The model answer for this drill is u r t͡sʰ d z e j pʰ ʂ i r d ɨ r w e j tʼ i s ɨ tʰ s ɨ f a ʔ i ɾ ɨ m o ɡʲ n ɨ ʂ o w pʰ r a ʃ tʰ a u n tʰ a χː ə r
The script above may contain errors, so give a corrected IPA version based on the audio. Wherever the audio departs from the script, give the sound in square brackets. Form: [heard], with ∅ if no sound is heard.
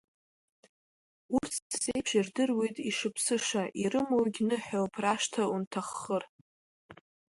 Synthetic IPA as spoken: u r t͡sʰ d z e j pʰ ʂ i r d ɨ r w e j tʼ i [ʂ] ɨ [pʰ] s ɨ [ʂ] a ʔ i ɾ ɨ m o ɡʲ n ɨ [ħ] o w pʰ r a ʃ tʰ a u n tʰ a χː ə r